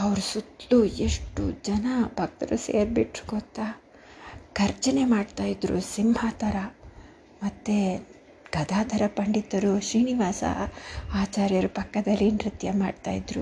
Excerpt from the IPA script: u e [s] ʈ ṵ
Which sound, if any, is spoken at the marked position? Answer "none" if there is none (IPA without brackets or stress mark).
ʂ